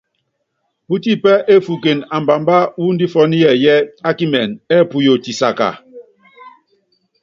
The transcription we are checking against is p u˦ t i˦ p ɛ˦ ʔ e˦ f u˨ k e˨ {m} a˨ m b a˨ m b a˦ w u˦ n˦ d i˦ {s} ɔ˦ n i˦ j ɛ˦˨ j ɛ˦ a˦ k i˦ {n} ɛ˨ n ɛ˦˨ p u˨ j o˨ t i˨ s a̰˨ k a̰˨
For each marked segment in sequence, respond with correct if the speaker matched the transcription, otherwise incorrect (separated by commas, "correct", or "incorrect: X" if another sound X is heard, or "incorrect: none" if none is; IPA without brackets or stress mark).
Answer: incorrect: n, incorrect: f, incorrect: m